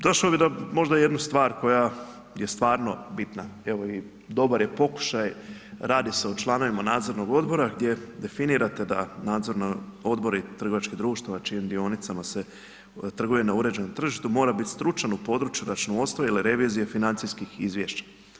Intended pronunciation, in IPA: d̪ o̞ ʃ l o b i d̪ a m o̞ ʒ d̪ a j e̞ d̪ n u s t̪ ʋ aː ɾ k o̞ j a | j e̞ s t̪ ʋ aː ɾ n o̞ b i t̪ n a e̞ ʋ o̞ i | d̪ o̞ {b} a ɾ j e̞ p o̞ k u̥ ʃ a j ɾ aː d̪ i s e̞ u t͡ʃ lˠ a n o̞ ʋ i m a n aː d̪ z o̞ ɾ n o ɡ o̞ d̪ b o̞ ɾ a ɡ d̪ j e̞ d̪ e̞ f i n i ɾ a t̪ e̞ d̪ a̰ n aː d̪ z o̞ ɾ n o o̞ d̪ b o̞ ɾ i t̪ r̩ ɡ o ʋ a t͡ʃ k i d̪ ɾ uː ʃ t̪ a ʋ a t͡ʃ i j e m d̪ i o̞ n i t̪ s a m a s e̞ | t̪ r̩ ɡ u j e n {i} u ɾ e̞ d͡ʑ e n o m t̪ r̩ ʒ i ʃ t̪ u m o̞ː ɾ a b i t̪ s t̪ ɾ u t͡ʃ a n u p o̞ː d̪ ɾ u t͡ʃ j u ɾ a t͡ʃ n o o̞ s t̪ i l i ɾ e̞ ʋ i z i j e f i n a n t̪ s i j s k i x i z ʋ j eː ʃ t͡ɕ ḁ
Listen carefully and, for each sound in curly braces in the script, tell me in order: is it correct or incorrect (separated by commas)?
correct, incorrect